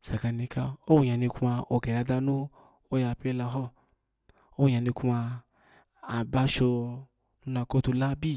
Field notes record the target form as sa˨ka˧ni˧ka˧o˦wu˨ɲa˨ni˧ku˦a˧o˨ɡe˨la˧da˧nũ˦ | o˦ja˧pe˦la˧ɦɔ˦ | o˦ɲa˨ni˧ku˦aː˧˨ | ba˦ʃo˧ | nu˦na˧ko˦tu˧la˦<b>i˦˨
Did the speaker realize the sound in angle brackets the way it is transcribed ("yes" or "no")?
yes